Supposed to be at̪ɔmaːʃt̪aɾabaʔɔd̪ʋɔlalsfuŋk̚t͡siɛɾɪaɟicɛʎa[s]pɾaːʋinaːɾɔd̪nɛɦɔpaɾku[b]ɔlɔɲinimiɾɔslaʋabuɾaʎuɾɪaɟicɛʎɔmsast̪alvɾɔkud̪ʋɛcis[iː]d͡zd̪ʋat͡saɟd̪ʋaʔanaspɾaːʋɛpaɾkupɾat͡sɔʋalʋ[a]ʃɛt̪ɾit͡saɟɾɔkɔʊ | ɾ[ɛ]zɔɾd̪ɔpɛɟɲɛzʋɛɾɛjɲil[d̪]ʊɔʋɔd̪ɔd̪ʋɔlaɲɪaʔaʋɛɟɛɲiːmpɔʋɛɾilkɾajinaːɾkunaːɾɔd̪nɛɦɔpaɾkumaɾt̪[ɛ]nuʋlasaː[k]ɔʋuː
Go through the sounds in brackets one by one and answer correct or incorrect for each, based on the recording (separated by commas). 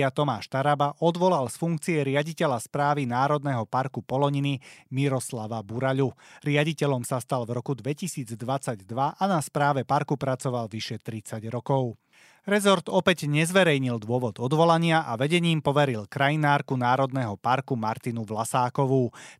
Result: correct, incorrect, correct, incorrect, correct, correct, incorrect, correct